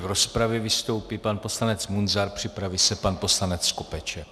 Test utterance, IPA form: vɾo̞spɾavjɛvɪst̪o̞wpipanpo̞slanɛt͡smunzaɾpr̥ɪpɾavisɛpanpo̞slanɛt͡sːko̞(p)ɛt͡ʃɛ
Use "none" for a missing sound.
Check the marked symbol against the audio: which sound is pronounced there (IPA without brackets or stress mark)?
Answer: p